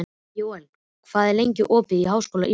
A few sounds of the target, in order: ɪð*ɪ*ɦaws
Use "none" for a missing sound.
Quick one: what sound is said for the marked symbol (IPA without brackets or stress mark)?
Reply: i